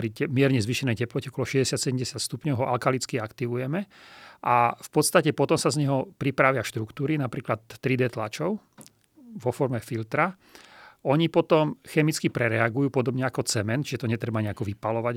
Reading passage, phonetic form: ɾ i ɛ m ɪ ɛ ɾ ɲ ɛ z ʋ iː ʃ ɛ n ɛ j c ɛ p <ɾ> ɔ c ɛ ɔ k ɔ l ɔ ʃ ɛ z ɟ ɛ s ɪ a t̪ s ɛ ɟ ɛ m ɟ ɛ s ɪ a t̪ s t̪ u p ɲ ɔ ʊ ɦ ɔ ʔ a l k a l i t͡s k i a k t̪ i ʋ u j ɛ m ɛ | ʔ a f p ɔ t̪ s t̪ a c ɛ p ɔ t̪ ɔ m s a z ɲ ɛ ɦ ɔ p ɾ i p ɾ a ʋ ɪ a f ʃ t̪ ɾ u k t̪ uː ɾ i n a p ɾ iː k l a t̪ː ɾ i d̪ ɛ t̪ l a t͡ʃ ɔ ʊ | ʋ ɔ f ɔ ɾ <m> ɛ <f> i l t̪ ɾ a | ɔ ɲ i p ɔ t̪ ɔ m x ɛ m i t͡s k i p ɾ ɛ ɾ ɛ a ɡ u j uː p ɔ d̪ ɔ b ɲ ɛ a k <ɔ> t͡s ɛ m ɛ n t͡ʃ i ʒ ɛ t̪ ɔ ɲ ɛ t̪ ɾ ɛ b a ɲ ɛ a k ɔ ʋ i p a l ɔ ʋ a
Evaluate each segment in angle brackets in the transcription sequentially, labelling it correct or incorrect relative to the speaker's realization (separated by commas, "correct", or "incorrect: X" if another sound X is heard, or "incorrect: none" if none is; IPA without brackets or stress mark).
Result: incorrect: l, correct, correct, correct